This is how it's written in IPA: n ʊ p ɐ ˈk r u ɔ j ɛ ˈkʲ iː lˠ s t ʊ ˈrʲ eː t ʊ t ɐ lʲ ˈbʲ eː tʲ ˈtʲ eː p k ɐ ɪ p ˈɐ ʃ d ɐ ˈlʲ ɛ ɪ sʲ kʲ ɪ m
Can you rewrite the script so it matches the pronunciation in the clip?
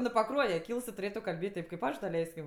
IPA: n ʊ p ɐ ˈk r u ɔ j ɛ ˈkʲ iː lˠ s t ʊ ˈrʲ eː t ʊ k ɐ lʲ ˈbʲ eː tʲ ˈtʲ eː p k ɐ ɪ p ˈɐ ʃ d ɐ ˈlʲ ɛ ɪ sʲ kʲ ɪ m